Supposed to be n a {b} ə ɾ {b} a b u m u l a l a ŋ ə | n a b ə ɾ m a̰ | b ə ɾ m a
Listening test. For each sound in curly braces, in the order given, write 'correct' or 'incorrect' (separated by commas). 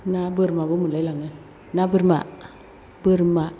correct, incorrect